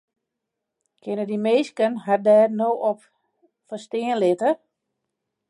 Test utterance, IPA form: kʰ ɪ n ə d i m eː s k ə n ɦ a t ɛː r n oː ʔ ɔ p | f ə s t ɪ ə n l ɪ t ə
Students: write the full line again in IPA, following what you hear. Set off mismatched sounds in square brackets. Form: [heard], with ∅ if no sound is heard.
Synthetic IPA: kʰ ɪ n ə d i m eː s k ə n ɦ a [d] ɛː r n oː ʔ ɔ p | f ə s t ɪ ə n l ɪ t ə